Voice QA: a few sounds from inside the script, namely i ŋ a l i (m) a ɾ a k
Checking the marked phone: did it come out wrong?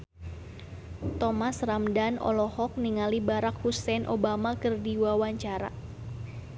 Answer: yes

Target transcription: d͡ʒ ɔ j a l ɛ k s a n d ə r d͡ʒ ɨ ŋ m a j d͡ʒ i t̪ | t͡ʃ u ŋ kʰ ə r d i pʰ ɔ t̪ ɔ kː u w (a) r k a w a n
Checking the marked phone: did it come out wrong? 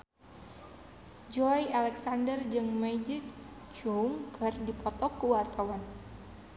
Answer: no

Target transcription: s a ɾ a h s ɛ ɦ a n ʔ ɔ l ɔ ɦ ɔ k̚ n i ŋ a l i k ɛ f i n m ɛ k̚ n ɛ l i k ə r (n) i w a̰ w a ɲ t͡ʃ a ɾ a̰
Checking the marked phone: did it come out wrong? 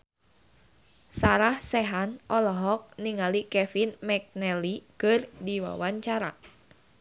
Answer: yes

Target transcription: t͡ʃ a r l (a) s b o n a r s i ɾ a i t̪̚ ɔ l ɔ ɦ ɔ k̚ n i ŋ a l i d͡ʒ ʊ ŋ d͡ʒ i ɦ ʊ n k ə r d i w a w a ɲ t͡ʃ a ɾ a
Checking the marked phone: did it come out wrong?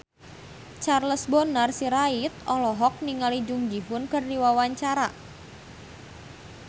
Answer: yes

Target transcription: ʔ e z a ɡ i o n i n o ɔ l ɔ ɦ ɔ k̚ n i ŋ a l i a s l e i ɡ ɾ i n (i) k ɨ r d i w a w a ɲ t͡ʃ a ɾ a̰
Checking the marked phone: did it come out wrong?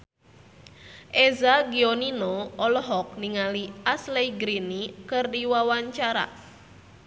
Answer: no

